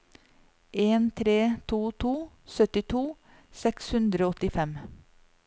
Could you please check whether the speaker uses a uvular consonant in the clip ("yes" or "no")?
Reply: no